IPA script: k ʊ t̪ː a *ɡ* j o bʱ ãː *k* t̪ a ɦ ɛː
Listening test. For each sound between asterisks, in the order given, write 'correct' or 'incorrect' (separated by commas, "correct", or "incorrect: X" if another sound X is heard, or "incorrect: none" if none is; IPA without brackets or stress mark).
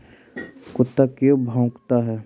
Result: incorrect: k, correct